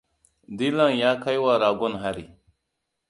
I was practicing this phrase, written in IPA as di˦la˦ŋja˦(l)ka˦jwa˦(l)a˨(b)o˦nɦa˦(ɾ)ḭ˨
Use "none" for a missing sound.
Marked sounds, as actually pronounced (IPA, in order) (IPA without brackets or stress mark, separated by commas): none, ɾ, ɡ, ɾ